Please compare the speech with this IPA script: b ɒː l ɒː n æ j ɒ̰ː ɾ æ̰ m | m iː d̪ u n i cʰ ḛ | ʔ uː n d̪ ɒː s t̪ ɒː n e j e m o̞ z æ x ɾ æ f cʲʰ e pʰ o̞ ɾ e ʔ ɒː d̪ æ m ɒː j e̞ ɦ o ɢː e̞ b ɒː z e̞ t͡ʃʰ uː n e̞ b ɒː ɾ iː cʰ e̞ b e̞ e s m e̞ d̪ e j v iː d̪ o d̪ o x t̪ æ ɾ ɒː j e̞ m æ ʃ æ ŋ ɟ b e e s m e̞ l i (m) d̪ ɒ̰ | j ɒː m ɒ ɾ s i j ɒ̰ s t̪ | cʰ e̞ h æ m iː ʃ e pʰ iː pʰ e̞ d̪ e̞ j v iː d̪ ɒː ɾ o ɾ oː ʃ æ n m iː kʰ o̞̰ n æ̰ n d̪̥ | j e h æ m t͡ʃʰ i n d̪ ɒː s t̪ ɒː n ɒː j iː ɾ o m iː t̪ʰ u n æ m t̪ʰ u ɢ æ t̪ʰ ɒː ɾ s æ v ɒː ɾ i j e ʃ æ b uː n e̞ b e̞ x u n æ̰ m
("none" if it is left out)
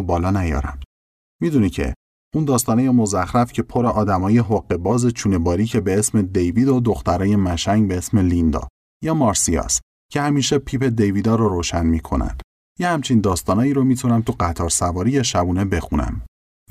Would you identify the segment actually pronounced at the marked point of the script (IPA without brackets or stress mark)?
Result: n